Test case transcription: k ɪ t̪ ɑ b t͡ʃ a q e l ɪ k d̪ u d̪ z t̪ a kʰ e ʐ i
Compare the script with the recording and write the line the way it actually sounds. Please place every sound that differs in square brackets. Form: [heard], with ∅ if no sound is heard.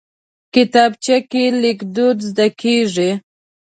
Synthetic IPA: k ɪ t̪ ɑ b t͡ʃ a [k] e l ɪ k d̪ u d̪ z [d̪] a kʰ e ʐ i